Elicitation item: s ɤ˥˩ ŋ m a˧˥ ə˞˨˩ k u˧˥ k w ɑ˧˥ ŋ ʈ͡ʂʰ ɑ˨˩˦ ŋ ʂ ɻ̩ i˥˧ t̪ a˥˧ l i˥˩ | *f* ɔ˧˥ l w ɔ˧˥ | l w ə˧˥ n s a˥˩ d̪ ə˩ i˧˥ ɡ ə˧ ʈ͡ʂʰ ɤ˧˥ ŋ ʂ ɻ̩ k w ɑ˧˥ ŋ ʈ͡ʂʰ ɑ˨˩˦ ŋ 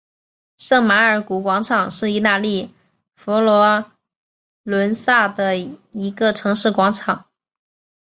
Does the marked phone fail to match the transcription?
no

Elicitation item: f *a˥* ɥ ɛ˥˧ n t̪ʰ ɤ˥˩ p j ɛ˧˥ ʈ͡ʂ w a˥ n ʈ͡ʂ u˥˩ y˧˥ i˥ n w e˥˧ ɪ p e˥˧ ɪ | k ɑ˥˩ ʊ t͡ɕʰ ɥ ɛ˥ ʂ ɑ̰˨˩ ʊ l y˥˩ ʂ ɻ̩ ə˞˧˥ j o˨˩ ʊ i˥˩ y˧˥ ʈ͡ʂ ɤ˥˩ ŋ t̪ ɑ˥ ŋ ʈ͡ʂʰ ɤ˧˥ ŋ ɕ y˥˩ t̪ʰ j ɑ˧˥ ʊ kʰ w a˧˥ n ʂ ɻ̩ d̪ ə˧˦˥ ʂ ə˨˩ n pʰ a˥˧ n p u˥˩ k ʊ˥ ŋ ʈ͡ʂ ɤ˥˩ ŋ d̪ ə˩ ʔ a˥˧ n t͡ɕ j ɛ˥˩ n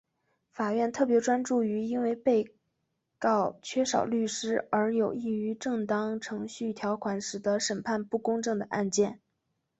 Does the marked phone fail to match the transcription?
yes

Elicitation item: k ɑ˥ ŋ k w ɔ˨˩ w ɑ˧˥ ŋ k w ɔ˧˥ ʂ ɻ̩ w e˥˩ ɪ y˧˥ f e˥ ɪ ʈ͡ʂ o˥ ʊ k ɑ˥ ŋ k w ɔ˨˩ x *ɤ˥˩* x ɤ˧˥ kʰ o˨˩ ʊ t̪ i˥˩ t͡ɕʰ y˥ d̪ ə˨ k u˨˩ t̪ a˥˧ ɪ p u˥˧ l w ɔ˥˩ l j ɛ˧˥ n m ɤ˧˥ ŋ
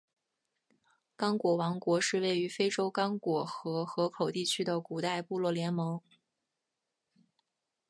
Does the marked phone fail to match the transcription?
yes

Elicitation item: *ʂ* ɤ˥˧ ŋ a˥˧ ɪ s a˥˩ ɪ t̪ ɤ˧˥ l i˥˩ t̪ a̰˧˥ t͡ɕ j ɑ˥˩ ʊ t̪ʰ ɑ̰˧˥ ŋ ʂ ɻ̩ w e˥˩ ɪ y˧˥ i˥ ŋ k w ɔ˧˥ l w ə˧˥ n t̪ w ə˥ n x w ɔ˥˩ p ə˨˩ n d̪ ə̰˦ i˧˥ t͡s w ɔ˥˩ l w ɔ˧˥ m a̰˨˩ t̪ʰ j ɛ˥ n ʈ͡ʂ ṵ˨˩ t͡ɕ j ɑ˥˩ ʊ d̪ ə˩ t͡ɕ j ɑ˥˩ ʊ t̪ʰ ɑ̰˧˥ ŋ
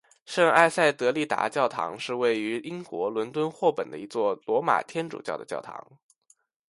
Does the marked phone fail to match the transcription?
no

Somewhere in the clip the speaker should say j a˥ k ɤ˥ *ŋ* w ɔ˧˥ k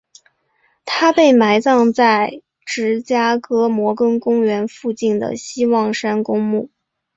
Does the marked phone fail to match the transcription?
yes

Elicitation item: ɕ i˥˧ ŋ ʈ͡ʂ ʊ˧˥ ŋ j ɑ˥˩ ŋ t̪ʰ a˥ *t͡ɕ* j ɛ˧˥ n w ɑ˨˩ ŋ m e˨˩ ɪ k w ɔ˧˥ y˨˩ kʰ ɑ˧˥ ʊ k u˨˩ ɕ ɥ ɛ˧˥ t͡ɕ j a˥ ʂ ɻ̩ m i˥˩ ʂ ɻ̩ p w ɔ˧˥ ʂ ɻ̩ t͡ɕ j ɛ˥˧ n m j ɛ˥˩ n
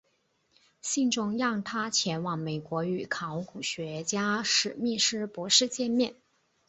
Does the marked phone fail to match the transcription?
yes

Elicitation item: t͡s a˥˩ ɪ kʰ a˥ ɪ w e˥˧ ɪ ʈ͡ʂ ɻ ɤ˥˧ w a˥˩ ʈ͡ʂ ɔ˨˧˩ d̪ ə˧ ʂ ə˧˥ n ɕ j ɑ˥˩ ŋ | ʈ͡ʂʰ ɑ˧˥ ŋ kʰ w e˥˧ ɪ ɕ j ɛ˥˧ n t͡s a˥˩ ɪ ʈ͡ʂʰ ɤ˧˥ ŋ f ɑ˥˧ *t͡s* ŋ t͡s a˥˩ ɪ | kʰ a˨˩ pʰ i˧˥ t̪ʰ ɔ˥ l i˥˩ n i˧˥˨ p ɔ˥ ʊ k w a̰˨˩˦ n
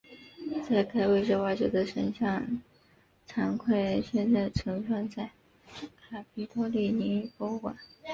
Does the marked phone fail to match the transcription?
yes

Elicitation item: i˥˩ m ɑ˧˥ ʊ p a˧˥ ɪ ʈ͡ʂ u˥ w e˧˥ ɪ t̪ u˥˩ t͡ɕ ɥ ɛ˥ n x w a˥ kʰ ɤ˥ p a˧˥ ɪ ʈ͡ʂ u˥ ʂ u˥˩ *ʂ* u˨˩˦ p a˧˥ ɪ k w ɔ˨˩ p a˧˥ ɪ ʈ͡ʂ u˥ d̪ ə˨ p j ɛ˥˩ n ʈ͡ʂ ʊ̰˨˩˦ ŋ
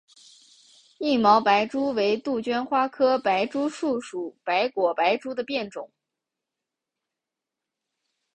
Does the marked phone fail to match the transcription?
no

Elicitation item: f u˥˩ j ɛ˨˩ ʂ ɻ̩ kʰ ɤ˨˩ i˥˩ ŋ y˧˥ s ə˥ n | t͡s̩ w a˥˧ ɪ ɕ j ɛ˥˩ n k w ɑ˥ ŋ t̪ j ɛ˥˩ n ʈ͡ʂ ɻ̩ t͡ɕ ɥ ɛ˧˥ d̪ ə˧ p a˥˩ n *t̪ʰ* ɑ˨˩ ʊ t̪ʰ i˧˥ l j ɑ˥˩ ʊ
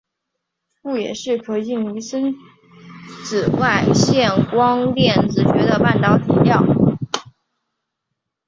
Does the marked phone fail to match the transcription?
yes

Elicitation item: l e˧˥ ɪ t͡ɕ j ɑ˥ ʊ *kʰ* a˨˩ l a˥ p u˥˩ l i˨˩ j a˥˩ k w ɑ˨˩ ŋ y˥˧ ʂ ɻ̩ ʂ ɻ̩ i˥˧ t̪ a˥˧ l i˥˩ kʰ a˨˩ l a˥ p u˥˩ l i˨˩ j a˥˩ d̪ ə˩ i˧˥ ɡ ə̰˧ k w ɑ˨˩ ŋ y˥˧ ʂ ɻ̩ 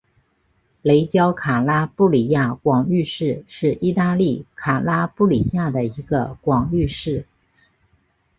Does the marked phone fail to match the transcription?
no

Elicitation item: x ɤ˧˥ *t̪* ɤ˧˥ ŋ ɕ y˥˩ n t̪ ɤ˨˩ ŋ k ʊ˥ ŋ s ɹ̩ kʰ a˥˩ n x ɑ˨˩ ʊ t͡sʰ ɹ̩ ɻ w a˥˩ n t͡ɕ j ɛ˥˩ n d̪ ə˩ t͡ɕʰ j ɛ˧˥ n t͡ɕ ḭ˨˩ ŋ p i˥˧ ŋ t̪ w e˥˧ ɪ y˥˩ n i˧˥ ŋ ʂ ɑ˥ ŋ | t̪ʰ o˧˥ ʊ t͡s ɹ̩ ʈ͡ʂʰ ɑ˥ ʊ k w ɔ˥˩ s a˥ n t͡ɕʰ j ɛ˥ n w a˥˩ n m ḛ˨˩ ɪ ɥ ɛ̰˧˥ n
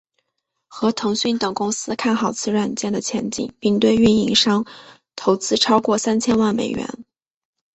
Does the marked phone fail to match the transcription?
yes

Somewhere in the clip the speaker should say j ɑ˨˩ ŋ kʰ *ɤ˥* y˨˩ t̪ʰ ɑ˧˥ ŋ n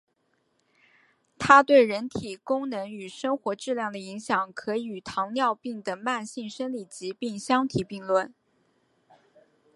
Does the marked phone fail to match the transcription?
yes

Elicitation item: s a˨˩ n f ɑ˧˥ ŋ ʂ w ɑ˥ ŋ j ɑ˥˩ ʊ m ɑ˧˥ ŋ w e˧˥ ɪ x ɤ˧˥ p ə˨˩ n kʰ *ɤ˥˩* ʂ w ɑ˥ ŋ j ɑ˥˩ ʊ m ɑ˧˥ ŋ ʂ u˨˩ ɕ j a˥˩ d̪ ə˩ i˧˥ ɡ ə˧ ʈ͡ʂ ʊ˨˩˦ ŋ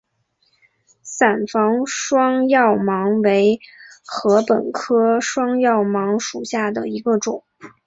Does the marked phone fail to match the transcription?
yes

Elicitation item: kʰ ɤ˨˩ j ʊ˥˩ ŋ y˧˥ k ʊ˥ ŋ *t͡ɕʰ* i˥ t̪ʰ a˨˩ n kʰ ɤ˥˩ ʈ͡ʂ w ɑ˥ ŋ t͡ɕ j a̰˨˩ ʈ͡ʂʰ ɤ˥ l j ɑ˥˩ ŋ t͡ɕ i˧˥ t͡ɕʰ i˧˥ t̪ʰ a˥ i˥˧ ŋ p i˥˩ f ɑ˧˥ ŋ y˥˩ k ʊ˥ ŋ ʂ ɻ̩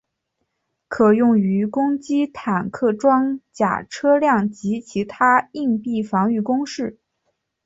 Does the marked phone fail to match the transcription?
yes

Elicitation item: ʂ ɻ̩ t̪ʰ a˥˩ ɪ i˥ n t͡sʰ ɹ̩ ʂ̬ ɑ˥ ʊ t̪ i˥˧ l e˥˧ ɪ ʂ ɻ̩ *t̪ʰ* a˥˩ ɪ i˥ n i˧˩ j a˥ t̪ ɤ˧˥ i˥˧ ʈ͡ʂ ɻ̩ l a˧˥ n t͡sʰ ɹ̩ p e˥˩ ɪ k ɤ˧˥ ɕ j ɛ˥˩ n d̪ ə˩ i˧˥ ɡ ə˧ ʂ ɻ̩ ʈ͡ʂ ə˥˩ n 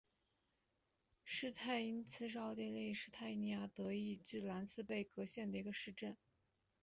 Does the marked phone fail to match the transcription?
no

